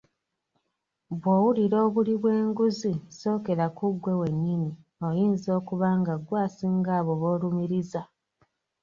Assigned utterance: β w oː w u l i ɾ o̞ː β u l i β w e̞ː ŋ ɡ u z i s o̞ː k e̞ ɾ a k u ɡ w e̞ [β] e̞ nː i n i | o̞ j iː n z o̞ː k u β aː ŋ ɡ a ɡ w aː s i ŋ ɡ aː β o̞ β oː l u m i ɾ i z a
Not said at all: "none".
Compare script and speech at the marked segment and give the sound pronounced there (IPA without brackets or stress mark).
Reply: w